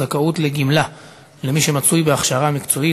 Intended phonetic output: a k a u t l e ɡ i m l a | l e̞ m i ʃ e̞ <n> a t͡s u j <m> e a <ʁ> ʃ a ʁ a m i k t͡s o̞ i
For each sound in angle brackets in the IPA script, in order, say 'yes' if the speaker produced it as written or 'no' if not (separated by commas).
no, no, no